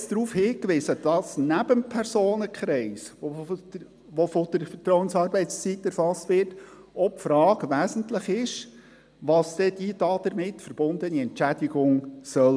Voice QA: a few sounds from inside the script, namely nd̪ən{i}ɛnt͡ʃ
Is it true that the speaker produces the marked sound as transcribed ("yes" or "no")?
yes